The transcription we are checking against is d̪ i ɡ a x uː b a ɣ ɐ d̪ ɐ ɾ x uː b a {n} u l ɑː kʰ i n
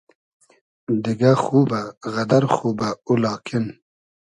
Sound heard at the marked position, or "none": none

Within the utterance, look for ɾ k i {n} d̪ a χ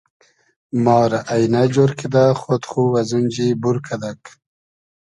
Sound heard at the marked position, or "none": none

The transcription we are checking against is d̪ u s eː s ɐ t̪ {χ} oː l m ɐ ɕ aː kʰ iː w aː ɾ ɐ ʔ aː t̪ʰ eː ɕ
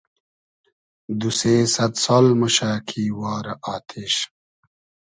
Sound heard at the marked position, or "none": s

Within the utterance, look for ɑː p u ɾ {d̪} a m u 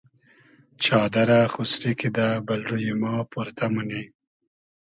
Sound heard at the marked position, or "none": t̪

